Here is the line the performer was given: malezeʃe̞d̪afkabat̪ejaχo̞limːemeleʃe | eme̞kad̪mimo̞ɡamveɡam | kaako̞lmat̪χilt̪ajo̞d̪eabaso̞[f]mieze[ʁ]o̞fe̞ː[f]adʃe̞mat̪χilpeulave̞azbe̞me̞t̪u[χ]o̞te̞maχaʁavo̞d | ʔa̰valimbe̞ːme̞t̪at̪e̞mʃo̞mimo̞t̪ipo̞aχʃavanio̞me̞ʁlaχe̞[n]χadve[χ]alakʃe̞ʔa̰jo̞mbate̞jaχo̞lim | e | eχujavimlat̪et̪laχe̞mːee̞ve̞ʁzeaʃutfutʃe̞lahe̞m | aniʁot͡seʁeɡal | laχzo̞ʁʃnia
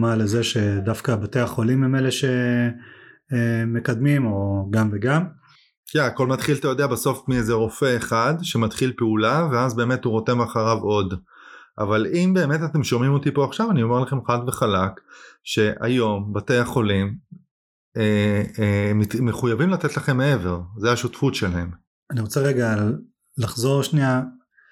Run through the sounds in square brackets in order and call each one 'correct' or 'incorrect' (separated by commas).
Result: correct, correct, incorrect, incorrect, incorrect, correct